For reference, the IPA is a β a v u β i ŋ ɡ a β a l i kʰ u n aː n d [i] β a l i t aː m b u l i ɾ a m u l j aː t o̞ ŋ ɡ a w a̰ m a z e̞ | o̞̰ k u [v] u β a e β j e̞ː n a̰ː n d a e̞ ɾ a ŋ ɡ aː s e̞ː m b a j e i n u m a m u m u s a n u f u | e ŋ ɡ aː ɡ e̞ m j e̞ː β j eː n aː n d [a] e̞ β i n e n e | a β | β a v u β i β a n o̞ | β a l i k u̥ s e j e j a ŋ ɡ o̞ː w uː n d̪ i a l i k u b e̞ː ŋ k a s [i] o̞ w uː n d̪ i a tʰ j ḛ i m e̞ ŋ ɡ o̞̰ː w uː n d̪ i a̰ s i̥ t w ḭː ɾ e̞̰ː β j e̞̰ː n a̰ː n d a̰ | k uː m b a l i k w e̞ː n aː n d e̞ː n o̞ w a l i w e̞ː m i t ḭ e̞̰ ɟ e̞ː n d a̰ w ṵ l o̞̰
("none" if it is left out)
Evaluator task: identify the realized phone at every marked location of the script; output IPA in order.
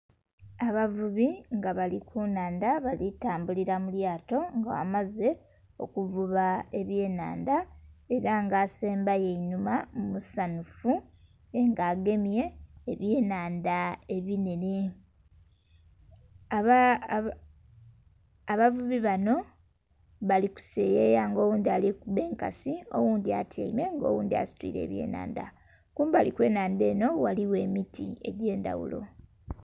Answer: a, v, a, i

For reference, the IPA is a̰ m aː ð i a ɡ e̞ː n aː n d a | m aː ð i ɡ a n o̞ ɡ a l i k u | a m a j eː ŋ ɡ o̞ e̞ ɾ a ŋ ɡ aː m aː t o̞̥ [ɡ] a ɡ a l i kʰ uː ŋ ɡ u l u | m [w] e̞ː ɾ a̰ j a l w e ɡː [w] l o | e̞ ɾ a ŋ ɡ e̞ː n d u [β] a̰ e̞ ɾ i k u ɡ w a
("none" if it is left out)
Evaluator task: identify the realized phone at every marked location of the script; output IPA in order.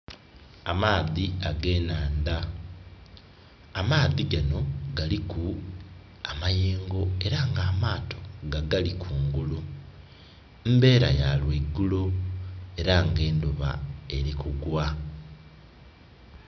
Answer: ɡ, b, u, β

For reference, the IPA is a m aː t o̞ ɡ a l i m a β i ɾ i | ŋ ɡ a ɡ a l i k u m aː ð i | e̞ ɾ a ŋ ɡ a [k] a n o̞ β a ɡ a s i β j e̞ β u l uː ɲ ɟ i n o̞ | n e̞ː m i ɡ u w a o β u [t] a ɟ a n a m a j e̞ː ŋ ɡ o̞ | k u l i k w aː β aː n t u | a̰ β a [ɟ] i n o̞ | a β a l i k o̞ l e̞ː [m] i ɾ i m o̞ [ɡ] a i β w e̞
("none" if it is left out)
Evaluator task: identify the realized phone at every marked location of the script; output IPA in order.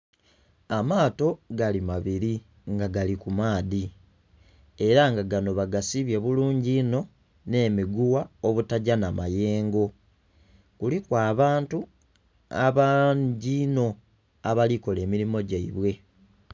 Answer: ɡ, t, ɟ, m, ɟ

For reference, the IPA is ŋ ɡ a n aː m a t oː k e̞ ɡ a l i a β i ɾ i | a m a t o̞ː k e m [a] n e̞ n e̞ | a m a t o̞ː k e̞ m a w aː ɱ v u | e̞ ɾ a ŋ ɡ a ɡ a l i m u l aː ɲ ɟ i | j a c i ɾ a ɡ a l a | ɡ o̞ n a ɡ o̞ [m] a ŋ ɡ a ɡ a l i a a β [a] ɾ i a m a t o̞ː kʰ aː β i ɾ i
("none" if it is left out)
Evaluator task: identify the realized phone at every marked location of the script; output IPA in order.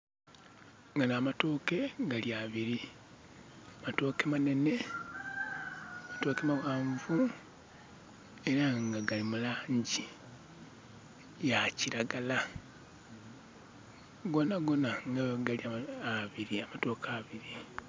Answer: a, n, i

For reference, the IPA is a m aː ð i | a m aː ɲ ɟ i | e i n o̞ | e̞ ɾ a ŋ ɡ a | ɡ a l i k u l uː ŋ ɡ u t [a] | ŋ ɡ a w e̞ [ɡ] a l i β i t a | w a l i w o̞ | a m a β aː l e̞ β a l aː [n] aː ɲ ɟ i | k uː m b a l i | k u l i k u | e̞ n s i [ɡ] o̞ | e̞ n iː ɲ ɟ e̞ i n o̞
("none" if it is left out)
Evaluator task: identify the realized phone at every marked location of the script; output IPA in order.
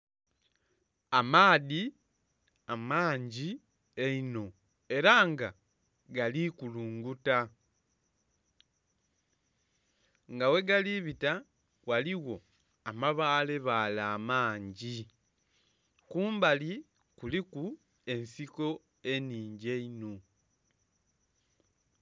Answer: a, ɡ, m, k

